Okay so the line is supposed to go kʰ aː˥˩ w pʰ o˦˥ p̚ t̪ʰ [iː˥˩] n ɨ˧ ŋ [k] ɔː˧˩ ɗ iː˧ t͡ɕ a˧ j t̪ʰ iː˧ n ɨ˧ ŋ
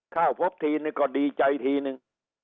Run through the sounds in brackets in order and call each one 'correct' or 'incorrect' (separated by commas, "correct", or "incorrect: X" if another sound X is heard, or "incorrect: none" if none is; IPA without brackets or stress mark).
incorrect: iː˧, correct